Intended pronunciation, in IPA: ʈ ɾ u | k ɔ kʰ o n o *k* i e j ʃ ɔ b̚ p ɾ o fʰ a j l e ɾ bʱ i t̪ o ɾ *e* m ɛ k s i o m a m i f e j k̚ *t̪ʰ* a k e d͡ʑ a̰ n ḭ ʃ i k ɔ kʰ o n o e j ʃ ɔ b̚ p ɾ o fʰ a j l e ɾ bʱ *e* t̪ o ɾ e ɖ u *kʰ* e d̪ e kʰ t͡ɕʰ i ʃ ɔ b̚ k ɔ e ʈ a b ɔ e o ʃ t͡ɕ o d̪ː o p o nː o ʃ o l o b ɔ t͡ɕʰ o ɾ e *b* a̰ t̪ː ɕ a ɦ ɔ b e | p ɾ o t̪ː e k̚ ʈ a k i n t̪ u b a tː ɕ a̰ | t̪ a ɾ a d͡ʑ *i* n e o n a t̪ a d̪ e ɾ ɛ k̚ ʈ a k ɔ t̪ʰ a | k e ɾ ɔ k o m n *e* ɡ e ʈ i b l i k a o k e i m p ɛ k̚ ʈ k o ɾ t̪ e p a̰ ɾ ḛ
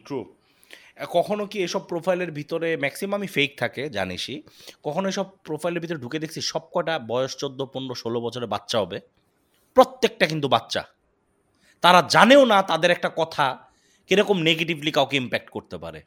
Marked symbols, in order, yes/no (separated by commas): yes, yes, yes, no, no, yes, no, yes